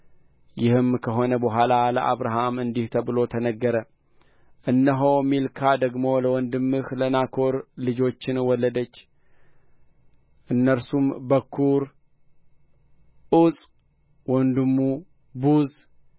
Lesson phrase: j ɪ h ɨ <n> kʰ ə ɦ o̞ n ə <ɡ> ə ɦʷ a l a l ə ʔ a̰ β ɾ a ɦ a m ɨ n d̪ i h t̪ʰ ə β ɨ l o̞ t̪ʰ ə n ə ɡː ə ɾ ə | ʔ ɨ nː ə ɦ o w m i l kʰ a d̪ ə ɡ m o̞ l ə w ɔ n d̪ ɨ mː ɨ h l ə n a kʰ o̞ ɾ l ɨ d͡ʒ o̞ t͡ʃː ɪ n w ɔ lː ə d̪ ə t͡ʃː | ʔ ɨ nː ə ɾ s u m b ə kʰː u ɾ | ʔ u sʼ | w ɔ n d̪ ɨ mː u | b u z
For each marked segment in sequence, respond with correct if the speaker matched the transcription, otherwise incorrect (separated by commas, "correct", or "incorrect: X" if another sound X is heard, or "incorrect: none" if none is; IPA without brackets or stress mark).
incorrect: m, incorrect: b